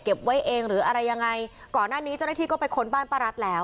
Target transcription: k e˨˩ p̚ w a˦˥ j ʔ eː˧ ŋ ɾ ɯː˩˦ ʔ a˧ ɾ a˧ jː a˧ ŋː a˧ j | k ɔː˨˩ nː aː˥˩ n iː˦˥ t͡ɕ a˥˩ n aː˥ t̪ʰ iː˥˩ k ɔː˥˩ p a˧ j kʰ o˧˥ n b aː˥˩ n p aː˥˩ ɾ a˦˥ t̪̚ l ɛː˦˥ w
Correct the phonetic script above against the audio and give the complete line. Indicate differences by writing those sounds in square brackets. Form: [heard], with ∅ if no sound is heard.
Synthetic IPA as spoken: k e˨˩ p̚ w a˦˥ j ʔ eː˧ ŋ ɾ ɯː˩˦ ʔ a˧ ɾ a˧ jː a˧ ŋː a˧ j | k ɔː˨˩ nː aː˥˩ n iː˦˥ t͡ɕ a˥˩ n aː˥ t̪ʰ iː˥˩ k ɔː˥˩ p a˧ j kʰ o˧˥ n b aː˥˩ n p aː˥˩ ɾ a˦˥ t̪̚ l ɛː˦˥ w